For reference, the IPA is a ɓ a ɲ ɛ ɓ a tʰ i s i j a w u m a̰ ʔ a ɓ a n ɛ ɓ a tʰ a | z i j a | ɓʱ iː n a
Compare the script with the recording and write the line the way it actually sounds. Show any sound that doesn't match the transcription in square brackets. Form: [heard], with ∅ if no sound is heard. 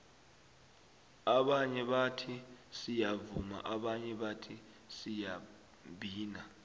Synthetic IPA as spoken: a ɓ a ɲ ɛ ɓ a tʰ i s i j a [v] u m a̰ ʔ a ɓ a [ɲ] ɛ ɓ a tʰ [i] | [s] i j a | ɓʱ iː n a